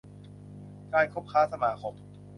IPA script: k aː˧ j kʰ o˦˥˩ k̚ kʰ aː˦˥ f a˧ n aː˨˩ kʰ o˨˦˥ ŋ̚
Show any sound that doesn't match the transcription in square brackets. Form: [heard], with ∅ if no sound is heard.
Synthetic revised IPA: k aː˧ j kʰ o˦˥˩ [p̚] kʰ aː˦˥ [s] a˧ [m] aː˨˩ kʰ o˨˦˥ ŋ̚